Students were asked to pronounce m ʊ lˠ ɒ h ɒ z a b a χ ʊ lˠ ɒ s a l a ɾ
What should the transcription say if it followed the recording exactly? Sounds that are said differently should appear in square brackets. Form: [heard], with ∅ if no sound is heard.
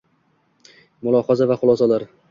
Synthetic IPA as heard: m ʊ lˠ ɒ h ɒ z a [v] a χ ʊ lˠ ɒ s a l a ɾ